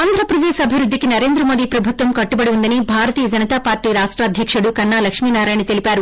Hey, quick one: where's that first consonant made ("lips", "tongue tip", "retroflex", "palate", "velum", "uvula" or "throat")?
tongue tip